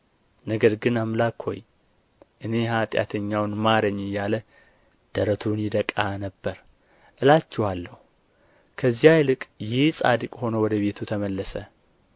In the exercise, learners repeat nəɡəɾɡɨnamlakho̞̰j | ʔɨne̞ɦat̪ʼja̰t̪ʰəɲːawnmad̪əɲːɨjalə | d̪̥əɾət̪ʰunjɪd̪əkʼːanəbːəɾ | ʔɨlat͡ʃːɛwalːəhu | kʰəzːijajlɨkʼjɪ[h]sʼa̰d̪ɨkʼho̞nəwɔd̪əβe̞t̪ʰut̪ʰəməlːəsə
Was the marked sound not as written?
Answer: no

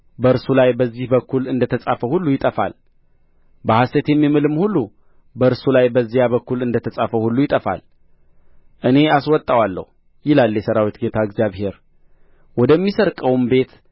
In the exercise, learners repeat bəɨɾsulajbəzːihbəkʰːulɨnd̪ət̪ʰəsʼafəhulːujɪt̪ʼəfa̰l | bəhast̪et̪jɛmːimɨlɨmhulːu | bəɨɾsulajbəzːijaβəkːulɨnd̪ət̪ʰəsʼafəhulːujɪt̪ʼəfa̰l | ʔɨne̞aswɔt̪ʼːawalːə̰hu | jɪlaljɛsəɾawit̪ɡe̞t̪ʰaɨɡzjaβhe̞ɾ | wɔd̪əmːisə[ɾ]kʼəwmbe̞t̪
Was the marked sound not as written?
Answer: no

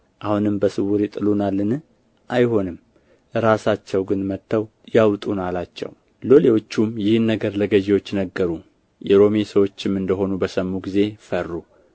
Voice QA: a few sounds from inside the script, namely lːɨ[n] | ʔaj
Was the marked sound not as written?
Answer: no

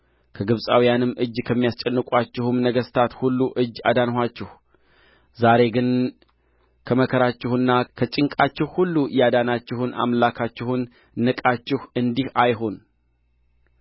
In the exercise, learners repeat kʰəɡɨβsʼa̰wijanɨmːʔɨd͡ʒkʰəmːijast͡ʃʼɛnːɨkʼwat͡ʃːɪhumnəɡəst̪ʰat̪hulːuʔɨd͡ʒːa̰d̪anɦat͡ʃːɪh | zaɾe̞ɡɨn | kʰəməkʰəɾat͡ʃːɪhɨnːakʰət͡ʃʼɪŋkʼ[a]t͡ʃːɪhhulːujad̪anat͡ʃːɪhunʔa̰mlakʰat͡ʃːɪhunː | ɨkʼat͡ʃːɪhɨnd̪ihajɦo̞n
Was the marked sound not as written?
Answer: no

